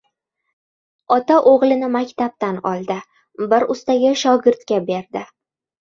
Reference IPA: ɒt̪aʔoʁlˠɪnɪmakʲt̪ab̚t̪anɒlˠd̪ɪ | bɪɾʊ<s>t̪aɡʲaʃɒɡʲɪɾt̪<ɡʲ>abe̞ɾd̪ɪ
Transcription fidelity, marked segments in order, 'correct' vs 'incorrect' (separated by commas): correct, incorrect